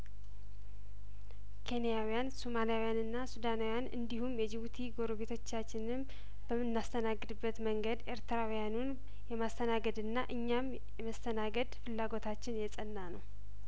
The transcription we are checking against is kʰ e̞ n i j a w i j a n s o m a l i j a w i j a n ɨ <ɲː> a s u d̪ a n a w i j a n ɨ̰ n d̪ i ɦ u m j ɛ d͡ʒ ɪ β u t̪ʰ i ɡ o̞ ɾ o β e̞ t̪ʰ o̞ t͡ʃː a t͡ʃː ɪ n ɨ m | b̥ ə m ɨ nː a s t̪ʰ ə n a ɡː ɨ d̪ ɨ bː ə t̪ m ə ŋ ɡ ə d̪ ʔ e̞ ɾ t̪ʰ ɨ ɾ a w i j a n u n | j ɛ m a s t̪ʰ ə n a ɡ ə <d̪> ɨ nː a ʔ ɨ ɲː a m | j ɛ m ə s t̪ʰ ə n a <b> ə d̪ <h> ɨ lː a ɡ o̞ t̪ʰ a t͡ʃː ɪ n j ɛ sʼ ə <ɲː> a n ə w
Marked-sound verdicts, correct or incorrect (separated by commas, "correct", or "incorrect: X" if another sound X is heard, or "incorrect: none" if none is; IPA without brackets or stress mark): incorrect: nː, correct, incorrect: ɡ, incorrect: f, incorrect: nː